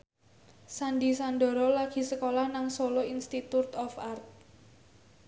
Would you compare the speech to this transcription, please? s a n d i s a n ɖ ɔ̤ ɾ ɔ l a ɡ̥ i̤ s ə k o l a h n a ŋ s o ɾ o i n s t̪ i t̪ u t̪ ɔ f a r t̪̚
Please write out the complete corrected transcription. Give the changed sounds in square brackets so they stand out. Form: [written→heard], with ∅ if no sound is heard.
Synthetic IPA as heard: s a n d i s a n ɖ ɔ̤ ɾ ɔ l a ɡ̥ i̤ s ə k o l a h n a ŋ s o [ɾ→l] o i n s t̪ i t̪ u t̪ ɔ f a r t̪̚